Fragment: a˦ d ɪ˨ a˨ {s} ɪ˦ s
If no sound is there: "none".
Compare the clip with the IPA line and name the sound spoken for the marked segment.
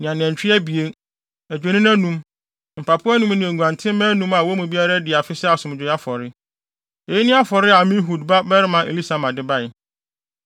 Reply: f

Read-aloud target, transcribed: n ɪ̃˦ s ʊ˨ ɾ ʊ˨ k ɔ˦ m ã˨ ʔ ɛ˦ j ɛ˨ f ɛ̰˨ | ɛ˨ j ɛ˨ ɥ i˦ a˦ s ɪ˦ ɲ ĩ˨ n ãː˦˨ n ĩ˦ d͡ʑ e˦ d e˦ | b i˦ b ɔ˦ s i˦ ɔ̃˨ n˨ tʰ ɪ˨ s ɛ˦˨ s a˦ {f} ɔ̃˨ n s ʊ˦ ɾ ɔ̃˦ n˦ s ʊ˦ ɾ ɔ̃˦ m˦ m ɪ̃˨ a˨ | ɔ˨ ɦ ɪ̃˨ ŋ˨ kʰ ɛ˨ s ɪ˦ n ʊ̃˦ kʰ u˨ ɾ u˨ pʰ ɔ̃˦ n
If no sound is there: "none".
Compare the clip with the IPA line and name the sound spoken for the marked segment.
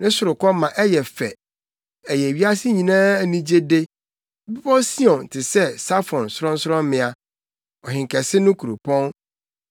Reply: f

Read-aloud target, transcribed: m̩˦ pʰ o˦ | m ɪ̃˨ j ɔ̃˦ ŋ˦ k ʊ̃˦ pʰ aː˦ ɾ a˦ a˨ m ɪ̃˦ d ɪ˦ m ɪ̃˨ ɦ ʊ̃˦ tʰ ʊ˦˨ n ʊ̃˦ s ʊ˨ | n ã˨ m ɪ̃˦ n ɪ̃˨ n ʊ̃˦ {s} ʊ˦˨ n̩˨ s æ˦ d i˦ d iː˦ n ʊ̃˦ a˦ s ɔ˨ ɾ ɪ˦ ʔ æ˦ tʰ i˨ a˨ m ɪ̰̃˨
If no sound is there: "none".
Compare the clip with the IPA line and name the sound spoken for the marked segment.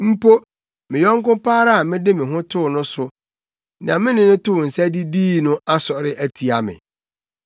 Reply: t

